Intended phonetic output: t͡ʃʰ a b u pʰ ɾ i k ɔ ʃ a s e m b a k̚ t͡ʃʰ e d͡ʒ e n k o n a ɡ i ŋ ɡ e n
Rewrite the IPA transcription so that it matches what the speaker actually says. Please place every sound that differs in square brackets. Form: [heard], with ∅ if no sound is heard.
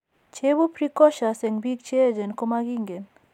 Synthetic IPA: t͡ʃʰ [e] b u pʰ ɾ i k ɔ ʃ a s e [ŋ] b [i] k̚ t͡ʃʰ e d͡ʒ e n k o [m] a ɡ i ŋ ɡ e n

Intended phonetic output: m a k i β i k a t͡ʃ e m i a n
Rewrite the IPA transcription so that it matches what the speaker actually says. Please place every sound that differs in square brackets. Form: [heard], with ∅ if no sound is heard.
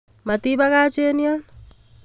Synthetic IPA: m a [t] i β [a] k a t͡ʃ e [n] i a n

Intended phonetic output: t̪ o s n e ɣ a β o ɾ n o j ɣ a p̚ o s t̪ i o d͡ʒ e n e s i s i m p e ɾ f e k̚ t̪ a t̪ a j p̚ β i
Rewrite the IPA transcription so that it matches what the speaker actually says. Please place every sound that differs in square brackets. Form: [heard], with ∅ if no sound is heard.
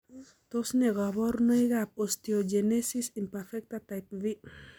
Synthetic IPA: t̪ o s n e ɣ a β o ɾ n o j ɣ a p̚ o s t̪ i o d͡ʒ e n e s i s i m p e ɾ f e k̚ t̪ a t̪ a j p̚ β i

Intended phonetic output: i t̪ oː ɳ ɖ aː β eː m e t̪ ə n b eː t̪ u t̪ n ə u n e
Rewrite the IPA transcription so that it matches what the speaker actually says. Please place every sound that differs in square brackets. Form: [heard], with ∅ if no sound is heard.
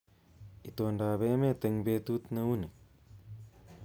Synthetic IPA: i t̪ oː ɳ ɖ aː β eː m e t̪ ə [ŋ] b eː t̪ u t̪ n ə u n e

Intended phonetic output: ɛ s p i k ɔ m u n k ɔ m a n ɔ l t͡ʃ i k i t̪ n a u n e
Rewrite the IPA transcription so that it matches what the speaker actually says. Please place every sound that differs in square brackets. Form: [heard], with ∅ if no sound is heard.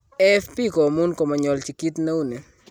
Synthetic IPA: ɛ [f] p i k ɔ m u n k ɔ m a [ɲ] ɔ l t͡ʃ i k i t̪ n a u n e

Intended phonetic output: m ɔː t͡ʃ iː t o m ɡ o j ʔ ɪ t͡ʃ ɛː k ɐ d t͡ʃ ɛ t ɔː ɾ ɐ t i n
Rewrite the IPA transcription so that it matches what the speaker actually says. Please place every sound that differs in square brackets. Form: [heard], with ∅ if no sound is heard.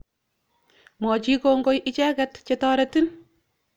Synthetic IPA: m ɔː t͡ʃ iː [k] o [ŋ] ɡ o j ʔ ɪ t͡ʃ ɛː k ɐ [t] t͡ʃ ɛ t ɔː ɾ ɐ t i n

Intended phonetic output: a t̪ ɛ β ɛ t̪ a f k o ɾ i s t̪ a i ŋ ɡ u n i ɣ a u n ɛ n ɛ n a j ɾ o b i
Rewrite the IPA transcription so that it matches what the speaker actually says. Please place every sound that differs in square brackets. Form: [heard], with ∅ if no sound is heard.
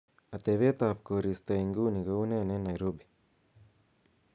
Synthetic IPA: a t̪ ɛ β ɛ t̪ a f k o ɾ i s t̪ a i ŋ ɡ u n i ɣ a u n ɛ n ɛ n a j ɾ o b i

